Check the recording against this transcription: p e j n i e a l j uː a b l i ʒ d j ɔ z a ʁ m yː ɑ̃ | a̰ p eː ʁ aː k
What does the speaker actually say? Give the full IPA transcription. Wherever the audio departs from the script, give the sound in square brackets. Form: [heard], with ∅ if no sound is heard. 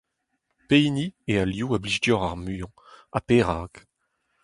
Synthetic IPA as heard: p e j n i e a l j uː a b l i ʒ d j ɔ [ʁ] a ʁ m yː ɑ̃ | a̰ p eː ʁ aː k